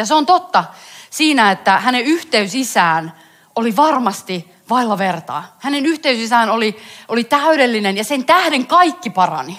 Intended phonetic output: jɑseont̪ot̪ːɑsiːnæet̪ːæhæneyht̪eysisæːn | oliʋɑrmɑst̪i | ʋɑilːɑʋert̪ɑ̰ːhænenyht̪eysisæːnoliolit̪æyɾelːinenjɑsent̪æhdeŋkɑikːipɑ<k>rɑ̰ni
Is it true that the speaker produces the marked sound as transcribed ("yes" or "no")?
no